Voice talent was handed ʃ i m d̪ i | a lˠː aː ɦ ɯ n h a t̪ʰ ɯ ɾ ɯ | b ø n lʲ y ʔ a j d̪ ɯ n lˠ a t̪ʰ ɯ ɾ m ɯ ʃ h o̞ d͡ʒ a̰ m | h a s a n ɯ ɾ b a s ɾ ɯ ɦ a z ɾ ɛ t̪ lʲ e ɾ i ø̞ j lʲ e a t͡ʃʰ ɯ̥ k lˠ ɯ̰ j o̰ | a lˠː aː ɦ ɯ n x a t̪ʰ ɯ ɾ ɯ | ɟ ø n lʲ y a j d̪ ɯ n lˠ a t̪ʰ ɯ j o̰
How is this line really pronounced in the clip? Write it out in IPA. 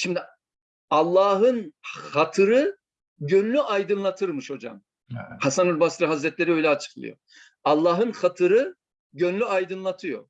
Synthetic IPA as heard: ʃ i m d̪ i | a lˠː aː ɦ ɯ n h a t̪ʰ ɯ ɾ ɯ | ɟ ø n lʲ y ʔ a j d̪ ɯ n lˠ a t̪ʰ ɯ ɾ m ɯ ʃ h o̞ d͡ʒ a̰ m | h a s a n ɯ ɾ b a s ɾ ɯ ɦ a z ɾ ɛ t̪ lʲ e ɾ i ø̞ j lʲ ɛ a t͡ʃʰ ɯ̥ k lˠ ɯ̰ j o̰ | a lˠː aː ɦ ɯ n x a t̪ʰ ɯ ɾ ɯ | ɟ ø n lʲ y a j d̪ ɯ n lˠ a t̪ʰ ɯ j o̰